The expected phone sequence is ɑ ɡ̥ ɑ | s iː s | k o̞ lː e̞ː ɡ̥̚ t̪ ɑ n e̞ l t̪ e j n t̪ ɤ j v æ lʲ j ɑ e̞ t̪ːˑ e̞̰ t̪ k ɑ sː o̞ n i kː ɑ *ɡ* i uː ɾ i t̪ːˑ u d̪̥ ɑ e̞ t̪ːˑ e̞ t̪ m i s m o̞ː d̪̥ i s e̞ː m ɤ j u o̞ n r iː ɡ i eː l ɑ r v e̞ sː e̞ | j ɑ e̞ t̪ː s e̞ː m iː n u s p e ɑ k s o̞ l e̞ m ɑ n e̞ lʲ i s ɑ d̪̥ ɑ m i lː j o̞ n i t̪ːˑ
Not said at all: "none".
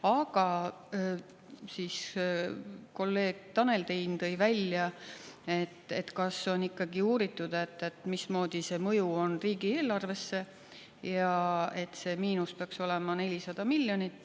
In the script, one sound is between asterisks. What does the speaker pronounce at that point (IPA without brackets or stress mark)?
ɡ